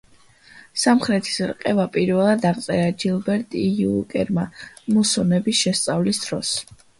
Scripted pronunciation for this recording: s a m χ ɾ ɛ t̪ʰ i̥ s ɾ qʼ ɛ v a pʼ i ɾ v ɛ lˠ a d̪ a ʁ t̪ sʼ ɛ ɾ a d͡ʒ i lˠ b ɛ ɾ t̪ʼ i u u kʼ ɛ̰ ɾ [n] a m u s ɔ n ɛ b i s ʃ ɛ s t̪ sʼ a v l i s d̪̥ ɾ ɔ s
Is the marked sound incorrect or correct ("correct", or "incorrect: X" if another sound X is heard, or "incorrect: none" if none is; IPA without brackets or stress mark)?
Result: incorrect: m